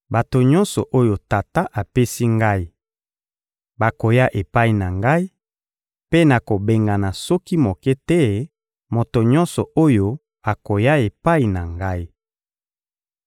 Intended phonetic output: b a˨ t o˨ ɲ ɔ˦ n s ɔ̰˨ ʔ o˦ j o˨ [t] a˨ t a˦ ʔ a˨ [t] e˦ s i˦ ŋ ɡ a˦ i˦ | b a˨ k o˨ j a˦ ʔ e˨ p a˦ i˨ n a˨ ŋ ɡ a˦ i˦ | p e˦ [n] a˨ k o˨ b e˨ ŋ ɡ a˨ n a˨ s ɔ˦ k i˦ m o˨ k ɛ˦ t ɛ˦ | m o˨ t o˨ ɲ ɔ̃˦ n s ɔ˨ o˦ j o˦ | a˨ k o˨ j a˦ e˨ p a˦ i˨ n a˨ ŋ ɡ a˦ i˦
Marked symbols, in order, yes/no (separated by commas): yes, no, yes